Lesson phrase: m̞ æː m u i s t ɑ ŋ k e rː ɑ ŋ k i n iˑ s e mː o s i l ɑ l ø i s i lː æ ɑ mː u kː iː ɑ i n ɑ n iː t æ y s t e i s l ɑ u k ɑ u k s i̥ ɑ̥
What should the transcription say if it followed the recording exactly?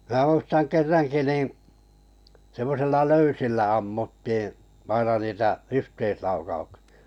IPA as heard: m̞ æː m u i s t ɑ ŋ k e rː ɑ ŋ k i n iˑ s e mː o s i lː ɑ l ø y s i lː æ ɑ mː u tː iː ɑ i n ɑ n iː t æ y h t e i s l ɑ u k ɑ u k s i̥ ɑ̥